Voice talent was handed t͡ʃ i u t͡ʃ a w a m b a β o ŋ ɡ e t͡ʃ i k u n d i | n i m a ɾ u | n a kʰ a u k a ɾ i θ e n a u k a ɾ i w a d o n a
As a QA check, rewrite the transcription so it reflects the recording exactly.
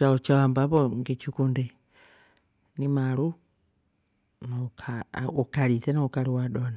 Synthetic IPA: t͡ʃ a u t͡ʃ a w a m b a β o ŋ ɡ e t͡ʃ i k u n d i | n i m a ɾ u | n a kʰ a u k a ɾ i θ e n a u k a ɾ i w a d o n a